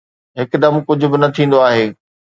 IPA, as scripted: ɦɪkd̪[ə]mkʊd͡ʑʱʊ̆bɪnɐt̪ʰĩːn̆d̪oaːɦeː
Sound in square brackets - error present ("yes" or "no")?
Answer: yes